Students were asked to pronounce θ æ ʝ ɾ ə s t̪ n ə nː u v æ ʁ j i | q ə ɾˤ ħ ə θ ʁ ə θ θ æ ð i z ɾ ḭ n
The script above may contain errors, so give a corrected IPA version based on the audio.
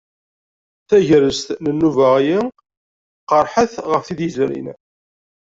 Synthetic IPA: θ æ ʝ ɾ ə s t̪ n ə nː u v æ ʁ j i | q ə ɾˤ ħ ə θ ʁ ə f θ i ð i z ɾ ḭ n